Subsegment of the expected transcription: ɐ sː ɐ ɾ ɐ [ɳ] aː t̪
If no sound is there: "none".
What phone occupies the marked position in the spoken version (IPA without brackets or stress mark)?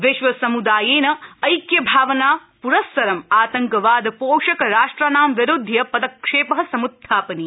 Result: m